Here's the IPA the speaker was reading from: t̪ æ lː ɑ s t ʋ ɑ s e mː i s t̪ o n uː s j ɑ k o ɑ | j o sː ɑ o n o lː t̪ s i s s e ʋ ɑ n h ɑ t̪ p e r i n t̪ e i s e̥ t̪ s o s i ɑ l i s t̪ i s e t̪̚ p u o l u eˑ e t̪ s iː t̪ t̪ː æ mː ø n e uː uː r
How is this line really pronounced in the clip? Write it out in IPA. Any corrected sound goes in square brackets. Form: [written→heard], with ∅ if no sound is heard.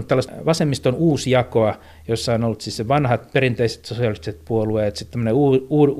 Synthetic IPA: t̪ æ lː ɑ s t ʋ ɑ s e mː i s t̪ o n uː s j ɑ k o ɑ | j o sː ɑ o n o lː t̪ s i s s e ʋ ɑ n h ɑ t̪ p e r i n t̪ e i s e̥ t̪ s o s i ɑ l i s t̪ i s e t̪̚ p u o l u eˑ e t̪ s [iː→i] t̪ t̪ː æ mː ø n e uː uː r